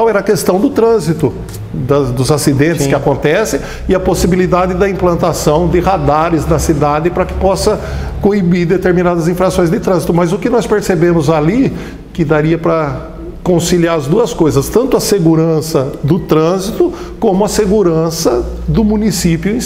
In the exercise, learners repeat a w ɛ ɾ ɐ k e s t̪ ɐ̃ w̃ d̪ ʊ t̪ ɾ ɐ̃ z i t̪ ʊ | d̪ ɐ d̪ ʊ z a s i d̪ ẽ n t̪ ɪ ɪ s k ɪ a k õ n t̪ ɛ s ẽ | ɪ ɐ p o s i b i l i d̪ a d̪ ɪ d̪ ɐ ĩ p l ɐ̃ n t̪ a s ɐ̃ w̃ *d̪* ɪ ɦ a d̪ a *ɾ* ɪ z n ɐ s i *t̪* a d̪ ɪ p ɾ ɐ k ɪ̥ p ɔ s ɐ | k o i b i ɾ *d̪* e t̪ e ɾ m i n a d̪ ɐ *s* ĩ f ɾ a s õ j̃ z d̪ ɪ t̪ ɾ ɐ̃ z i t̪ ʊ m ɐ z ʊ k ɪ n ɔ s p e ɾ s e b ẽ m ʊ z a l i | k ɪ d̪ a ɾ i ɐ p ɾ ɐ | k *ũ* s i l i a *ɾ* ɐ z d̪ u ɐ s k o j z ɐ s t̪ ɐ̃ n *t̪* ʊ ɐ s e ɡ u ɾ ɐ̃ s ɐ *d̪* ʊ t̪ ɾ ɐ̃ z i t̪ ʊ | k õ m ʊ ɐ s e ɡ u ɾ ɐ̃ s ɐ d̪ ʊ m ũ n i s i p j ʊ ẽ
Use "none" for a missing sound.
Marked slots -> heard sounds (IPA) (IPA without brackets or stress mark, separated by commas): d̪, ɾ, d̪, d̪, z, õ, ɾ, t̪, d̪